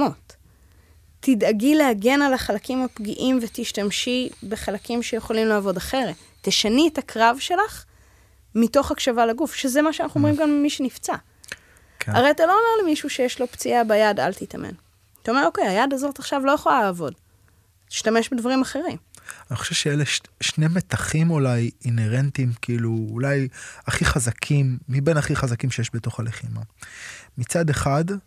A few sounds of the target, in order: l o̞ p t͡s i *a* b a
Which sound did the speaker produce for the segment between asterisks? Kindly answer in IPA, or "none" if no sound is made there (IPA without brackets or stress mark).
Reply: a